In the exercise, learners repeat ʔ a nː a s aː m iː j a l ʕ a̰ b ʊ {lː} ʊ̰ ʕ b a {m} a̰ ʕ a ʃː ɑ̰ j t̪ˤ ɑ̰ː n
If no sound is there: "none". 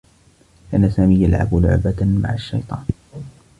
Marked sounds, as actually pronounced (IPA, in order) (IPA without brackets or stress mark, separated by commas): l, m